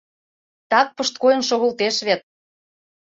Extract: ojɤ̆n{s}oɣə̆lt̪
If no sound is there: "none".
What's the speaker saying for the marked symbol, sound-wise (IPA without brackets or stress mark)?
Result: ʃ